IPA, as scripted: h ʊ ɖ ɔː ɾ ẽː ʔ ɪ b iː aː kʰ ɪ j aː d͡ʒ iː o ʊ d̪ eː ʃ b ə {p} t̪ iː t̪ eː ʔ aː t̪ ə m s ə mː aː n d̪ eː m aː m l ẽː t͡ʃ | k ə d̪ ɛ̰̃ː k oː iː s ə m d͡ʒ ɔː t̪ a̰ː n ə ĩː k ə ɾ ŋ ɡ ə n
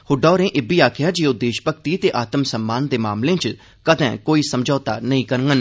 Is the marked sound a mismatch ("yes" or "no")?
yes